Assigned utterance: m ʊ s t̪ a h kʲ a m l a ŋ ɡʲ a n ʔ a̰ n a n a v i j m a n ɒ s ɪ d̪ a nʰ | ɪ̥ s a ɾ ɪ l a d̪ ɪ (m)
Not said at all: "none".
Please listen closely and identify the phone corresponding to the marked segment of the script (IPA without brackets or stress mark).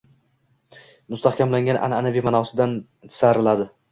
none